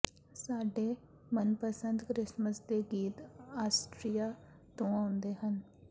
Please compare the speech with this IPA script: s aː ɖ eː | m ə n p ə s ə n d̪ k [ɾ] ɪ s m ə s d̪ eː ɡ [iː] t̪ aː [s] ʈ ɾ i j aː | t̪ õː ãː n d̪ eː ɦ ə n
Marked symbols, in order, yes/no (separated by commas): yes, yes, yes